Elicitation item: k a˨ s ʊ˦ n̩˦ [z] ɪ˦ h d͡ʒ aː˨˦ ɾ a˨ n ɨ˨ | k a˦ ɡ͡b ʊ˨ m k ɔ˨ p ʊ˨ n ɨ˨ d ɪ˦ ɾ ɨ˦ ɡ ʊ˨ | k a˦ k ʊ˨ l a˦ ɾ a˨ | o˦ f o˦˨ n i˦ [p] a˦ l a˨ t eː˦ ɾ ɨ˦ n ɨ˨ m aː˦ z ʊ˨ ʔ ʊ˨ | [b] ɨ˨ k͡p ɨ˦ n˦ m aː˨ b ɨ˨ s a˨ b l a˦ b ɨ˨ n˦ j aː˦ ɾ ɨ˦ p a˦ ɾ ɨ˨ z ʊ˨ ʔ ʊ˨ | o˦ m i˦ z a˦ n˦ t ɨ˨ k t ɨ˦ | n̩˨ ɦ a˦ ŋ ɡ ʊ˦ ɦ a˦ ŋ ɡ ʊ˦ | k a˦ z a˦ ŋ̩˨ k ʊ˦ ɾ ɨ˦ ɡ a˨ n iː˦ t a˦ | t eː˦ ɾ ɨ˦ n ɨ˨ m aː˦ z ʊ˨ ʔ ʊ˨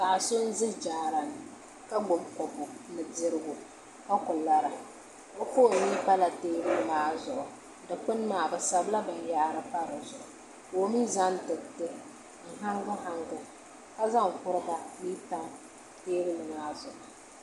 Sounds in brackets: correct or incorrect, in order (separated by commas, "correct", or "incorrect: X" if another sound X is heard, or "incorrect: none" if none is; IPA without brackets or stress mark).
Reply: correct, correct, incorrect: d